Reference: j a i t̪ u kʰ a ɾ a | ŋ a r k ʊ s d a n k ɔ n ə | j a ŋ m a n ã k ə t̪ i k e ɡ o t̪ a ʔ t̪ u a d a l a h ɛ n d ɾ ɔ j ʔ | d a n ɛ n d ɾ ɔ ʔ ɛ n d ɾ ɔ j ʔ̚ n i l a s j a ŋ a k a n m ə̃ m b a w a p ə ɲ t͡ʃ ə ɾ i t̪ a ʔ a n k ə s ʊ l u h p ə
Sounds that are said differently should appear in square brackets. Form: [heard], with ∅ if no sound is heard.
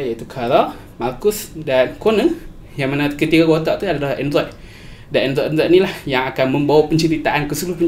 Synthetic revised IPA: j a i t̪ u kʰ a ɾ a | [m] a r k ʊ s d a n k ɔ n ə | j a ŋ m a n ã k ə t̪ i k [a] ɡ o t̪ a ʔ t̪ u a d a l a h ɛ n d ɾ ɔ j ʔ | d a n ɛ n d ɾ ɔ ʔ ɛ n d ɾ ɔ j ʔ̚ n i l a [h] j a ŋ a k a n m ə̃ m b a w a p ə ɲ t͡ʃ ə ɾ i t̪ a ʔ a n k ə s [u] l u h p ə